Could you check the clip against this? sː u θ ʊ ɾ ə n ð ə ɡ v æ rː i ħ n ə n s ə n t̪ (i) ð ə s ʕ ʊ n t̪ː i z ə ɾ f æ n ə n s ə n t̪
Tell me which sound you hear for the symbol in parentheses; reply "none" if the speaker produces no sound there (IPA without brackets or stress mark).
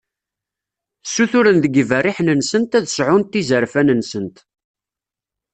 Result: æ